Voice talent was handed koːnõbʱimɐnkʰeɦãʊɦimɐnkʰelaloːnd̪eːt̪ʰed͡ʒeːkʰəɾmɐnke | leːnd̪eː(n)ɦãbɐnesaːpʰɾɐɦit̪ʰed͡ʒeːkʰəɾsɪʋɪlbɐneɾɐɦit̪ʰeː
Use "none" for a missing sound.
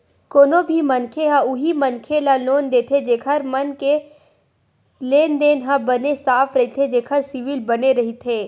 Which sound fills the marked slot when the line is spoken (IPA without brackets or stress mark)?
n